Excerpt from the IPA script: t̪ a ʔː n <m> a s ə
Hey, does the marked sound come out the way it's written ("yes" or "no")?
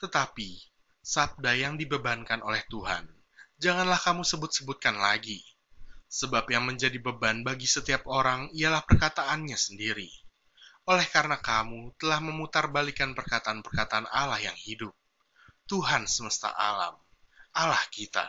no